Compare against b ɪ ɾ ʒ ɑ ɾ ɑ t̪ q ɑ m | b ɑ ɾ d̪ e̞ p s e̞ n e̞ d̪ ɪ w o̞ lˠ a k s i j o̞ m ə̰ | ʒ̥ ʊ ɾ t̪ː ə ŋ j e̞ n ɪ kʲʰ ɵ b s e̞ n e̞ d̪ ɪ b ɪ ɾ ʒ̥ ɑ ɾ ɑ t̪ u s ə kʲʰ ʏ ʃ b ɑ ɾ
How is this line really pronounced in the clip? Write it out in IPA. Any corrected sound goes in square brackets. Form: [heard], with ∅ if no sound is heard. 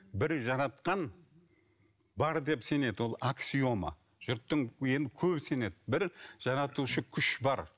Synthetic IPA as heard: b ɪ ɾ ʒ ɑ ɾ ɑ t̪ q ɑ [n] | b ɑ ɾ d̪ e̞ p s e̞ n e̞ d̪ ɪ w o̞ lˠ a k s i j o̞ m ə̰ | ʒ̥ ʊ ɾ t̪ː ə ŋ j e̞ n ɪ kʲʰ ɵ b s e̞ n e̞ d̪ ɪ b ɪ ɾ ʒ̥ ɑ ɾ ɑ t̪ u [ʃ] ə kʲʰ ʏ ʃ b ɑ ɾ

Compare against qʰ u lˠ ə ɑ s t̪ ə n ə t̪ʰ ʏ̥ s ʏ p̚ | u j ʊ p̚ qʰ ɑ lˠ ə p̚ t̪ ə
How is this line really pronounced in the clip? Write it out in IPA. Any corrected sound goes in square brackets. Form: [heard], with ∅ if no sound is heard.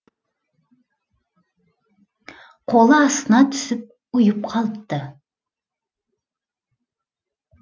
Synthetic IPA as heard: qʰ [o] lˠ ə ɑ s t̪ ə n [ɑ] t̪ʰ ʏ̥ s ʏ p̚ | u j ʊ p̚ qʰ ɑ lˠ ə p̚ t̪ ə

